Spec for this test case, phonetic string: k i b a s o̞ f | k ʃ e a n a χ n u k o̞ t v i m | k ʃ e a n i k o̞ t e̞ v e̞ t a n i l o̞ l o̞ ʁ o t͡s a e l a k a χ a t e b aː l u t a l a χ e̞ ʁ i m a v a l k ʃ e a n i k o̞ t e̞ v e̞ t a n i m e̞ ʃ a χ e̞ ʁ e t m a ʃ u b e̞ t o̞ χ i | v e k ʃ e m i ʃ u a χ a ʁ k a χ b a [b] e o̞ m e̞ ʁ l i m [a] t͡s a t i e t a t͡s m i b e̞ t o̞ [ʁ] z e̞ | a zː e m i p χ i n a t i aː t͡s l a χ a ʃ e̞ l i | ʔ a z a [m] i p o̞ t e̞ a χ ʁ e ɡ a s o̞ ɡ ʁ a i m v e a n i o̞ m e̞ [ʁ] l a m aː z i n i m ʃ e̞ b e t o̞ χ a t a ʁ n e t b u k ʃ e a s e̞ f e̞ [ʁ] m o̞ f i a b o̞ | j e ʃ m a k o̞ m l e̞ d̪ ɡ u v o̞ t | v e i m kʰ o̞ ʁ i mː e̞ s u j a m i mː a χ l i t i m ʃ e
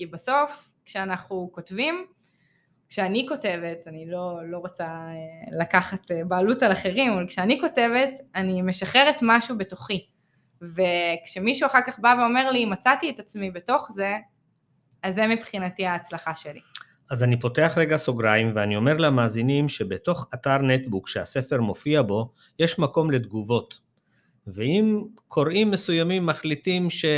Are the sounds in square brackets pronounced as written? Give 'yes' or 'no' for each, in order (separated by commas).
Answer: no, yes, no, no, yes, yes